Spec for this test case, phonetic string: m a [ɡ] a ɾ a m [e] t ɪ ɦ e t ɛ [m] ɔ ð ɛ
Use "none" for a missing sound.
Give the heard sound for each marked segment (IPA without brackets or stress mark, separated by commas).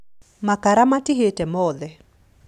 k, a, m